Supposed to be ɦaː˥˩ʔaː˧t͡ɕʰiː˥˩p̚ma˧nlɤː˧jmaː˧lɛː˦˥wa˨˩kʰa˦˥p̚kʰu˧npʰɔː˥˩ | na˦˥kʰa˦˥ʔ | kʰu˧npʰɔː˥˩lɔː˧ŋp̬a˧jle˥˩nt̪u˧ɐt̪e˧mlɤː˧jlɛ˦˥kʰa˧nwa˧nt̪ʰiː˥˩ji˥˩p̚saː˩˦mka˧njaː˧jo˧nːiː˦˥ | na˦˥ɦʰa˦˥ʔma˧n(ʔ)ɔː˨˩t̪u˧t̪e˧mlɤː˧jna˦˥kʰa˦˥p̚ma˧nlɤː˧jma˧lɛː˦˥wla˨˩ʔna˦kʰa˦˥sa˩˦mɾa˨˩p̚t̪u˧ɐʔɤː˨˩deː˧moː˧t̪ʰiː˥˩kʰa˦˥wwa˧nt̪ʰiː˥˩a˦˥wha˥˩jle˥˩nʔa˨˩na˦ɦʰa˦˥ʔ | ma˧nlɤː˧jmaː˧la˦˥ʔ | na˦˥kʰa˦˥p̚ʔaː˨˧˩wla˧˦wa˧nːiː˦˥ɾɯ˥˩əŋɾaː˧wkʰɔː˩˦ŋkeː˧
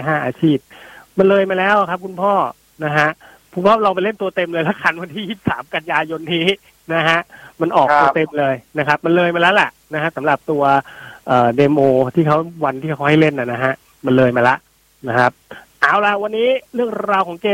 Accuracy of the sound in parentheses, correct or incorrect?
correct